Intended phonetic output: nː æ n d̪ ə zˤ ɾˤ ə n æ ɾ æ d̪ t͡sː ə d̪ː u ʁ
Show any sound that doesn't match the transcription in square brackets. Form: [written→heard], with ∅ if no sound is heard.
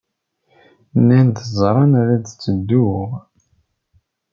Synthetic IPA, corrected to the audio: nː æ n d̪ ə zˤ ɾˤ [ə→ɑ] n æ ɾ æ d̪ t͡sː ə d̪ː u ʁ